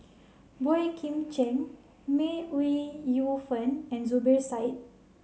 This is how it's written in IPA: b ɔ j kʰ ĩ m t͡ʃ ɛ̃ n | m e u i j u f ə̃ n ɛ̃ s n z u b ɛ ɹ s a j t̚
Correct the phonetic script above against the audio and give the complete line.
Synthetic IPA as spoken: b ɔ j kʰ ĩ m t͡ʃ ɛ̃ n | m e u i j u f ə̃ n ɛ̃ n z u b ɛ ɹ s a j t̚